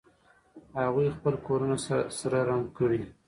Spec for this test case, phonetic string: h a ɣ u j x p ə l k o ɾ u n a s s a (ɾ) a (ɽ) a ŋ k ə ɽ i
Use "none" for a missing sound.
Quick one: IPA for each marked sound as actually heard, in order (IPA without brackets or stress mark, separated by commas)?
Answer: ɾ, ɾ